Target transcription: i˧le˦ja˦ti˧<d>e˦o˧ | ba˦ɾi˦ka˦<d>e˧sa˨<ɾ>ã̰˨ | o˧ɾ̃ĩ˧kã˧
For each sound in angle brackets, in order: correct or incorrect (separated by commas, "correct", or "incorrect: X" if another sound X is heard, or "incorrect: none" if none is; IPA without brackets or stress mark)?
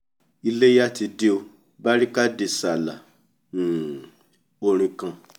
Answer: correct, correct, incorrect: l